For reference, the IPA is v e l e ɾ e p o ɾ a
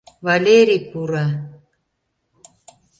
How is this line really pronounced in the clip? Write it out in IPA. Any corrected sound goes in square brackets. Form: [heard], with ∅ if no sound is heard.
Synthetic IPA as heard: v [a] l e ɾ [i] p [u] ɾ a

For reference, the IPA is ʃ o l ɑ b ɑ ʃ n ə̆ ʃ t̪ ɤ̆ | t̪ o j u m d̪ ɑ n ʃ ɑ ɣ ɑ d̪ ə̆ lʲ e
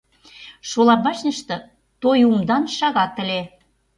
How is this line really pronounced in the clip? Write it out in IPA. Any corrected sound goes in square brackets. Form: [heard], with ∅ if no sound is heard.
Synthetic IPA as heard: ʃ o l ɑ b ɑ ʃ n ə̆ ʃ t̪ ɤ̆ | t̪ o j u m d̪ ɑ n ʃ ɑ ɣ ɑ [t̪] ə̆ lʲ e

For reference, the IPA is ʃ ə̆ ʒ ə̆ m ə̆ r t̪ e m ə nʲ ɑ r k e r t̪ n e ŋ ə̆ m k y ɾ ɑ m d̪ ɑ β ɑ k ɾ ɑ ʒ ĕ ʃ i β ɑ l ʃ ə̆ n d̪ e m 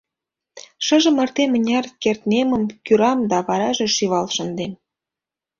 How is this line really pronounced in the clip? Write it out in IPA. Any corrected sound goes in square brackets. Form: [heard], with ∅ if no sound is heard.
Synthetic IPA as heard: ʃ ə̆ ʒ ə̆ m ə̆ r t̪ e m ə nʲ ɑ r k e r t̪ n e [m] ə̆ m k y ɾ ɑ m d̪ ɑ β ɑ [∅] ɾ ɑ ʒ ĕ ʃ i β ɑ l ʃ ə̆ n d̪ e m

